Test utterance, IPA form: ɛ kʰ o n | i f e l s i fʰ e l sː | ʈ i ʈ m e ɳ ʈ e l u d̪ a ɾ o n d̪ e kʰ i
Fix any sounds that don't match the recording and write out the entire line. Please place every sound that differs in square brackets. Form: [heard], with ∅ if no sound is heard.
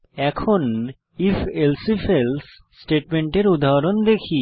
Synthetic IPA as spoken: ɛ kʰ o n | i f e l s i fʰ e l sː | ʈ [e] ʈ m e ɳ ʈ e [ɾ] u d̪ a ɾ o n d̪ e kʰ i

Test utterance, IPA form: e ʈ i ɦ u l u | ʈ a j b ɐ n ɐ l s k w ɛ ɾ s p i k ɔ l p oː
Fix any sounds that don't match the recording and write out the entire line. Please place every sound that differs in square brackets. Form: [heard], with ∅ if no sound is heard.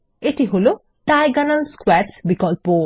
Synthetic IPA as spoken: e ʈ i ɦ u l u | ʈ a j [ɡ] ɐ n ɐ l s k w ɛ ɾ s [b] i k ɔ l p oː

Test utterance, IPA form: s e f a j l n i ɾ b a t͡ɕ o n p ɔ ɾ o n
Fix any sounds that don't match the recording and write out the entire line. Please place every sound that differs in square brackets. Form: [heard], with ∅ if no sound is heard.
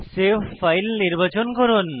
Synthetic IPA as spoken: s e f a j l n i ɾ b a t͡ɕ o n [k] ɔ ɾ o n

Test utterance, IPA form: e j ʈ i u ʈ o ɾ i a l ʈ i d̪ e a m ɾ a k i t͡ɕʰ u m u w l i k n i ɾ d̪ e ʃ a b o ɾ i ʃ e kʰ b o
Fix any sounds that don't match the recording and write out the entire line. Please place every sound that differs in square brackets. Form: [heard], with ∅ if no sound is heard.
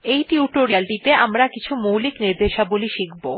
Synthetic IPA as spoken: e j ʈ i u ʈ o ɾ i a l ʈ i [t̪] e a m ɾ a k i t͡ɕʰ u m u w l i k n i ɾ d̪ e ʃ a b o [l] i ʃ [i] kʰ b o

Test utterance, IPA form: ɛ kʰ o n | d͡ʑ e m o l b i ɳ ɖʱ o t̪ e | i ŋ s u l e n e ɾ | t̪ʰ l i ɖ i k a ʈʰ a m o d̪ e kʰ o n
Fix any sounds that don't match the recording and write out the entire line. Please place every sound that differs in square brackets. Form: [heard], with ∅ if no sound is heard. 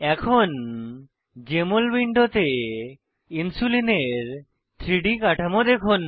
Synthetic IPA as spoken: ɛ kʰ o n | d͡ʑ e m o l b i ɳ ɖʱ o t̪ e | i [n] s u l [i] n e ɾ | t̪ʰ [ɾ] i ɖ i k a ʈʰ a m o d̪ e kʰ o n

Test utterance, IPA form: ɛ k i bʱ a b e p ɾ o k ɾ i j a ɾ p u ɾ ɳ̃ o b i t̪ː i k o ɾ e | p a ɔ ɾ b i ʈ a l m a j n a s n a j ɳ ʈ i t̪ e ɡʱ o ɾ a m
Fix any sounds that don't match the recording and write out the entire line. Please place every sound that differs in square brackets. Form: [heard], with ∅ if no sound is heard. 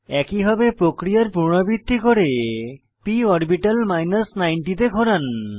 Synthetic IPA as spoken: ɛ k i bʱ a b e p ɾ o k ɾ i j a ɾ p u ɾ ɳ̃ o b i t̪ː i k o ɾ e | p [i] ɔ ɾ b i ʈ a l m a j n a s n a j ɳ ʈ i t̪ e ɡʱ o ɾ a [n]

